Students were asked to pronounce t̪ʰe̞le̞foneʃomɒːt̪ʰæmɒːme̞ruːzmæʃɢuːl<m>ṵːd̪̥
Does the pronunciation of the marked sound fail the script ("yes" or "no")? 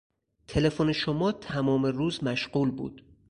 yes